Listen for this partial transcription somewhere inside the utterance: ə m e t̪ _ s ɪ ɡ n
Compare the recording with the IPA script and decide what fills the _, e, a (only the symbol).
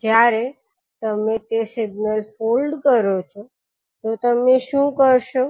e